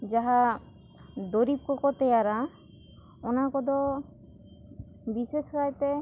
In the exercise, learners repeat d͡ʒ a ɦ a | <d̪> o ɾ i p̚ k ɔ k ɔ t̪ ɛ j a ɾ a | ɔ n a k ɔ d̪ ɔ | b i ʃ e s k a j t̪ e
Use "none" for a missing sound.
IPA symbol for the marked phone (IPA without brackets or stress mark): d̪